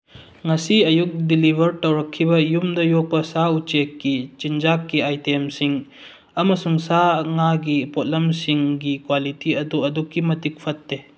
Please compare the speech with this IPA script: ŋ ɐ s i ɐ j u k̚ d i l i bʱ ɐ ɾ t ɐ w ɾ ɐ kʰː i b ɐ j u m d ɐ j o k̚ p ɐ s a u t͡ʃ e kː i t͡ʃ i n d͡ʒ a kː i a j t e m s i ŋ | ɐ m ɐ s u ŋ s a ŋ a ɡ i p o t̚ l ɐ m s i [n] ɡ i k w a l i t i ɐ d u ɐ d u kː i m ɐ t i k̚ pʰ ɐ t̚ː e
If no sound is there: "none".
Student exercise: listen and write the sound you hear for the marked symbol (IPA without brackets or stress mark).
ŋ